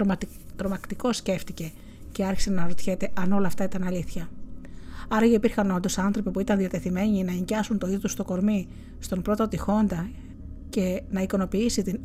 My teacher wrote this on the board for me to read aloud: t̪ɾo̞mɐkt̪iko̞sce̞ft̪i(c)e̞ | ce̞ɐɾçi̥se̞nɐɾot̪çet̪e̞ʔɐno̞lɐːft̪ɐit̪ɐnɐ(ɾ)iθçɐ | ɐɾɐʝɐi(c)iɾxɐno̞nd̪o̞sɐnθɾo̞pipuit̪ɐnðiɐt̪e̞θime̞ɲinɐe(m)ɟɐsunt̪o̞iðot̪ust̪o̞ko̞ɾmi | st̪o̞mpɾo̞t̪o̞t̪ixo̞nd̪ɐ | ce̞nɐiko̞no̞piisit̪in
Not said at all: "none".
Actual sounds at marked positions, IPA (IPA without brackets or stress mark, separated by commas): c, l, p, ɲ